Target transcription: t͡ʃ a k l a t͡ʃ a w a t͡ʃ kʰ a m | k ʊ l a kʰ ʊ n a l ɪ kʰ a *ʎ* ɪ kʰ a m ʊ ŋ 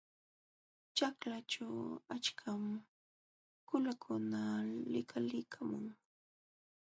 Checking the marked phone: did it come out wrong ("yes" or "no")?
yes